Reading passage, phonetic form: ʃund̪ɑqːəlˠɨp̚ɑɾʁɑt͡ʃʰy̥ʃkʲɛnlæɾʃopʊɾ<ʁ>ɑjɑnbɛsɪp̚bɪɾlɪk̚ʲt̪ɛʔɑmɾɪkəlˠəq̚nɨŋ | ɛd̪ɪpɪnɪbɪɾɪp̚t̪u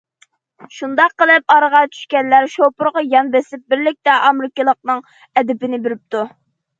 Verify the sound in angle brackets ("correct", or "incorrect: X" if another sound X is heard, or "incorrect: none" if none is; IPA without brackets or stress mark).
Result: correct